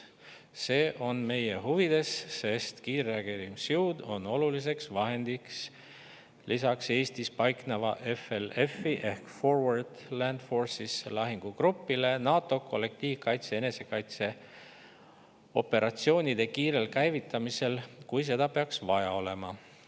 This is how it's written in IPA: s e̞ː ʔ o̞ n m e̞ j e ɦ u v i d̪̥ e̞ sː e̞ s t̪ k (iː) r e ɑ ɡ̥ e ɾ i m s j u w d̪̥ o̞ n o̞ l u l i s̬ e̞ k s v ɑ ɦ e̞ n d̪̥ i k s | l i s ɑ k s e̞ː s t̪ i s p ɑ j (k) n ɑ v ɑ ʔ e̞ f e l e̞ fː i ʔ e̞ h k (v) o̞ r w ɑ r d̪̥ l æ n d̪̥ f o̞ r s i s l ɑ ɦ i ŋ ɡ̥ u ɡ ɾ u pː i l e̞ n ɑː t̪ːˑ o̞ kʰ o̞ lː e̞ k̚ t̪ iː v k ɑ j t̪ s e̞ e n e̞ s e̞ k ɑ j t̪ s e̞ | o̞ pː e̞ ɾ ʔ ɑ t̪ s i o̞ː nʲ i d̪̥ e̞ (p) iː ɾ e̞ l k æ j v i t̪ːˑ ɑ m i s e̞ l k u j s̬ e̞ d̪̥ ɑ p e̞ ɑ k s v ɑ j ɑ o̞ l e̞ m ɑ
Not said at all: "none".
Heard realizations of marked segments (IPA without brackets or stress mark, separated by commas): iː, k, f, k